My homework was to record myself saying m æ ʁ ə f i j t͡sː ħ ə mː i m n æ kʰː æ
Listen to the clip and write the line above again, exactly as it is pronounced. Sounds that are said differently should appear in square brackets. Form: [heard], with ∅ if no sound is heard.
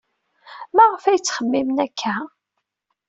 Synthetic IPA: m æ ʁ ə f [æ] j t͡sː [χ] ə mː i m n æ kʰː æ